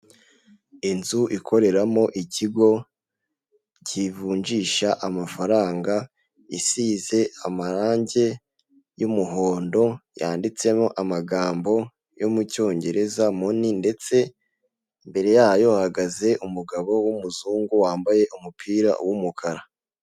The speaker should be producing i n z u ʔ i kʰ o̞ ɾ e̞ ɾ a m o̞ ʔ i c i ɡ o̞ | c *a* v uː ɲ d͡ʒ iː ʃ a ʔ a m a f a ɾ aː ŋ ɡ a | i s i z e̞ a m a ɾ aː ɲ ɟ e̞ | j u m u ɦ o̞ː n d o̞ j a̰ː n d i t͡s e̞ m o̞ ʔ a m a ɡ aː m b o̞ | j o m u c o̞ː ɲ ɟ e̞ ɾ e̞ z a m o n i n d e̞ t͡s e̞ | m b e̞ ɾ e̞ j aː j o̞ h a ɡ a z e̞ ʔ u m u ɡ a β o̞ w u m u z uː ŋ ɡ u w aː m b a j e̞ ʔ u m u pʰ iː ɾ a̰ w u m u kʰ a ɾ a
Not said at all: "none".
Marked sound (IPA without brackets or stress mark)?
i